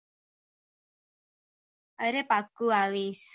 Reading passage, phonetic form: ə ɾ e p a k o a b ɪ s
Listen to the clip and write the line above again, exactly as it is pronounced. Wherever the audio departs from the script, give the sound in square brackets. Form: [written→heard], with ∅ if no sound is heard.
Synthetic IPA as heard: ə ɾ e p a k [o→u] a [b→w] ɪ s

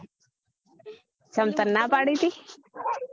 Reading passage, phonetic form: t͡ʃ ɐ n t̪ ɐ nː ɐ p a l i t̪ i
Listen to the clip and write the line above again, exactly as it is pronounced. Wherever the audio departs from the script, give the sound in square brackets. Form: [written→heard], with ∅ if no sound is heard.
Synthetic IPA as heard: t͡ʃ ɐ [n→m] t̪ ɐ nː [ɐ→a] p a [l→ɽ] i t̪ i

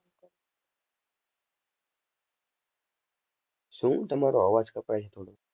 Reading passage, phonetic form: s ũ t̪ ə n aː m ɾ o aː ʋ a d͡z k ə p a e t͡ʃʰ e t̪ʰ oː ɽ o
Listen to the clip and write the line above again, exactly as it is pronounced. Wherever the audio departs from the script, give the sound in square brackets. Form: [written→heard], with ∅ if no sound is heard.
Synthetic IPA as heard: s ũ t̪ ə [n→m] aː [m→∅] ɾ o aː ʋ a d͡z k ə p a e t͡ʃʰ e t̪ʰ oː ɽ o

